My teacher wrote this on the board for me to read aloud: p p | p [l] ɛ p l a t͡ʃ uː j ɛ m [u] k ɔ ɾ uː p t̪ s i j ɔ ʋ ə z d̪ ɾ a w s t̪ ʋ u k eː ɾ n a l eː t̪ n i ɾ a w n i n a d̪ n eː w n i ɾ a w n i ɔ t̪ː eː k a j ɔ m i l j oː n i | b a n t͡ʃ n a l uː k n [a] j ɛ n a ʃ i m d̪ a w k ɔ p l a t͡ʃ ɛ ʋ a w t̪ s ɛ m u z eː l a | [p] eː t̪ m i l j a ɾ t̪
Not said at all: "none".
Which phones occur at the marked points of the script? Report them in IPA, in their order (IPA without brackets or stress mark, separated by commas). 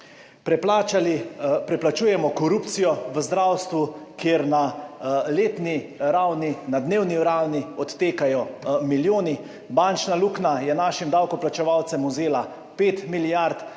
ɾ, ɔ, a, p